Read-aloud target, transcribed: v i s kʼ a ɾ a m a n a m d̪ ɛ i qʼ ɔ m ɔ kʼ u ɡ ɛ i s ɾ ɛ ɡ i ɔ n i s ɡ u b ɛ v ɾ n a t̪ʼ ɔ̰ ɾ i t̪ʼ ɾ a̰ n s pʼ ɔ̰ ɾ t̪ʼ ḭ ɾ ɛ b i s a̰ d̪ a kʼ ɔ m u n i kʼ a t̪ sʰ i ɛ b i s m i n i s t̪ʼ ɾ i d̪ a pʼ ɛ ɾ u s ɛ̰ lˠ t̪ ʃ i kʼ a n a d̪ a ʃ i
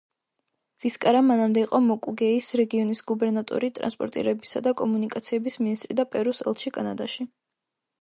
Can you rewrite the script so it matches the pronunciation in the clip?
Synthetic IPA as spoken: v i s kʼ a ɾ a m a n a m d̪ ɛ i qʼ ɔ m ɔ kʼ u ɡ ɛ i s ɾ ɛ ɡ i ɔ n i s ɡ u b ɛ ɾ n a t̪ʼ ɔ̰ ɾ i t̪ʼ ɾ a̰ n s pʼ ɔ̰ ɾ t̪ʼ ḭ ɾ ɛ b i s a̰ d̪ a kʼ ɔ m u n i kʼ a t̪ sʰ i ɛ b i s m i n i s t̪ʼ ɾ i d̪ a pʼ ɛ ɾ u s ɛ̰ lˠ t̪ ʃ i kʼ a n a d̪ a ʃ i

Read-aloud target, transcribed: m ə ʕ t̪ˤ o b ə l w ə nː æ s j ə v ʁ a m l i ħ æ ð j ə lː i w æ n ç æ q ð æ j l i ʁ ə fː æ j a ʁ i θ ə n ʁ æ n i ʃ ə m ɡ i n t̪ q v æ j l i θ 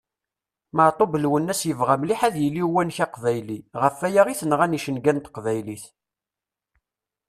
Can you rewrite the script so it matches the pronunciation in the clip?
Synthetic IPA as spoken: m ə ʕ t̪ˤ o b ə l w ə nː æ s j ə v ʁ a m l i ħ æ ð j ə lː i w æ n ç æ q v æ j l i ʁ ə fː æ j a ʁ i θ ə n ʁ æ n i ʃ ə n ɡ æ n t̪ q v æ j l i θ

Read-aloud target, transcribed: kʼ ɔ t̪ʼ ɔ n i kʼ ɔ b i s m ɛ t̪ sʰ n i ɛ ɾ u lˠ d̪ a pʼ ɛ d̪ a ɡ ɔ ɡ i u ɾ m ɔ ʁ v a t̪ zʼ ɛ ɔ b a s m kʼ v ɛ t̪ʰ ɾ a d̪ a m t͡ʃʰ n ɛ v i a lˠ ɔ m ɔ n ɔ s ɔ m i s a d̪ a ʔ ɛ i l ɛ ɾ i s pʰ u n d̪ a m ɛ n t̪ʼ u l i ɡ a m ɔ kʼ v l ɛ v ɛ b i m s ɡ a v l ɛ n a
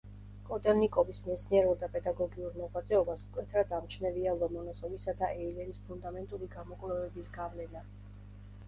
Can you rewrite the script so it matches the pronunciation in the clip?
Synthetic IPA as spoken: kʼ ɔ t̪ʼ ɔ n i kʼ ɔ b i s m ɛ t̪ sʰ n i ɛ ɾ u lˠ d̪ a pʼ ɛ d̪ a ɡ ɔ ɡ i u ɾ m ɔ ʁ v a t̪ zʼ ɛ ɔ b a s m kʼ w ɛ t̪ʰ ɾ a d̪ a m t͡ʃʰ n ɛ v i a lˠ ɔ m ɔ n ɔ s ɔ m i s a d̪ a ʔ ɛ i l ɛ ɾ i s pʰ u n d̪ a m ɛ n t̪ʼ u l i ɡ a m ɔ kʼ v l ɛ v ɛ b i s ɡ a v l ɛ n a

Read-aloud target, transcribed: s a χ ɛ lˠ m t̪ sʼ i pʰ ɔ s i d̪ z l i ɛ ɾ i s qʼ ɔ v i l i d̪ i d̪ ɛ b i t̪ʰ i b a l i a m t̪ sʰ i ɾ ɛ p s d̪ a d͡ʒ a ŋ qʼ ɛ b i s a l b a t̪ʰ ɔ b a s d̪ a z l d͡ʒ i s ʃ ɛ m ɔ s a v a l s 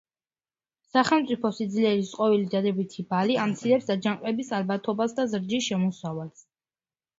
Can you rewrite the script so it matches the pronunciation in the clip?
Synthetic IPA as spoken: s a χ ɛ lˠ m t̪ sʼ i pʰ ɔ s i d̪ z l i ɛ ɾ i s qʼ ɔ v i l i d̪ a d̪ ɛ b i t̪ʰ i b a l i a m t̪ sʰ i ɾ ɛ p s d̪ a d͡ʒ a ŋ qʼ ɛ b i s a l b a t̪ʰ ɔ b a s d̪ a z ɾ d͡ʒ i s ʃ ɛ m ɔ s a v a l s

